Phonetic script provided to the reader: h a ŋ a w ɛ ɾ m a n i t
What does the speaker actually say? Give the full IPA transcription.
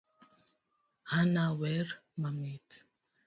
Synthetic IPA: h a n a w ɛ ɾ m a m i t